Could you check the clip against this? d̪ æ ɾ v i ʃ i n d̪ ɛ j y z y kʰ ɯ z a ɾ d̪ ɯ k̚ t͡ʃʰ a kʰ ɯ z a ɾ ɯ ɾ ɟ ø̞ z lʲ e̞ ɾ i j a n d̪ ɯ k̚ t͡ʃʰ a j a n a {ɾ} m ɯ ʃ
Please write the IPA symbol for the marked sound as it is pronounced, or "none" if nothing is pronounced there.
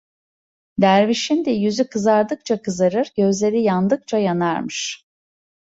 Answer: ɾ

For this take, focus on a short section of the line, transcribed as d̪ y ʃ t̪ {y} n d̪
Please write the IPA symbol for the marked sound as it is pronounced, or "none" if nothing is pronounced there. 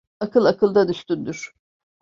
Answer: y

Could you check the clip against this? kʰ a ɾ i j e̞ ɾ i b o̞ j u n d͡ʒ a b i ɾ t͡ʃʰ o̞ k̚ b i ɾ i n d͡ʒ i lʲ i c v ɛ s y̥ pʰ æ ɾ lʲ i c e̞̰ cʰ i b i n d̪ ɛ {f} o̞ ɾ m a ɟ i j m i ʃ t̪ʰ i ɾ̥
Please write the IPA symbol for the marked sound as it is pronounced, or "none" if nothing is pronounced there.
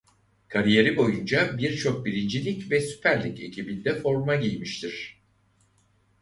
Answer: f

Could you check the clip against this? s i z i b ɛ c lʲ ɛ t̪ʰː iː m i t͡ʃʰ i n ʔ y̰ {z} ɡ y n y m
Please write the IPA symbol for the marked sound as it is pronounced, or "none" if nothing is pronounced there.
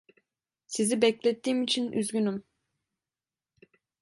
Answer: z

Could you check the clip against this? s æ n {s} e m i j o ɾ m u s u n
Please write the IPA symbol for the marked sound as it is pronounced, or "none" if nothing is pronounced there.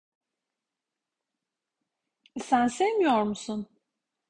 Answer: s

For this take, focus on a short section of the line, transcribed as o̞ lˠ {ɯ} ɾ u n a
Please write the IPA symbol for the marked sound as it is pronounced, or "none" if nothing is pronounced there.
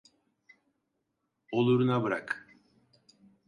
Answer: u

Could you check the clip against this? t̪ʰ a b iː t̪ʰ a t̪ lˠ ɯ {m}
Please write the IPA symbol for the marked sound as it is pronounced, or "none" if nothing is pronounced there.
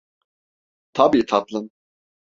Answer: n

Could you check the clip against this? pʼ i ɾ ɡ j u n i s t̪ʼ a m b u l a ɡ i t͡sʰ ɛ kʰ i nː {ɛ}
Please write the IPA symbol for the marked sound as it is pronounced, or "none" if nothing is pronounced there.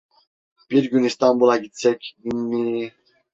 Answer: i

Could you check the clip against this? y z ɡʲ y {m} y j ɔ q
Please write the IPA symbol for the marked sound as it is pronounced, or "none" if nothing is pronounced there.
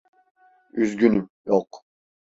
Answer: n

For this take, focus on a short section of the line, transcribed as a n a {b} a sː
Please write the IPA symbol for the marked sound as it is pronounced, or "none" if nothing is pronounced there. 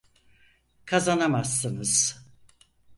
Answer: m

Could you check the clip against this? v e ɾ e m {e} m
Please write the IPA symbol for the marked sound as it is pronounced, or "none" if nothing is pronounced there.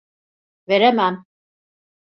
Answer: æ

